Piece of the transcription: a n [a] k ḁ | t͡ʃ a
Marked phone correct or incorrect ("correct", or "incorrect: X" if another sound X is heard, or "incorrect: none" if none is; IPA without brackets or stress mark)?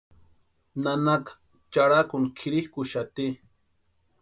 correct